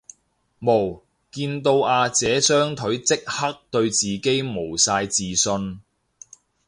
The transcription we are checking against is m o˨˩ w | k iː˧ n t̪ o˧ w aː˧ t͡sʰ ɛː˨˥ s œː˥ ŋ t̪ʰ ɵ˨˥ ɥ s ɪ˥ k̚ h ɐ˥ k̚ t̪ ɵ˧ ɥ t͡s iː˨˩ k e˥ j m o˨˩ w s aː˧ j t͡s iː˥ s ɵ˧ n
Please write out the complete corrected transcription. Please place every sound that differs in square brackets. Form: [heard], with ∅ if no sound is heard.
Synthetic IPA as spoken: m o˨˩ w | k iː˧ n t̪ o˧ w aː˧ [t͡s] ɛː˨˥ s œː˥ ŋ t̪ʰ ɵ˨˥ ɥ [t͡s] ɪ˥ k̚ h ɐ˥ k̚ t̪ ɵ˧ ɥ t͡s iː˨˩ k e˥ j m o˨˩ w s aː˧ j t͡s [iː˨] s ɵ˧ n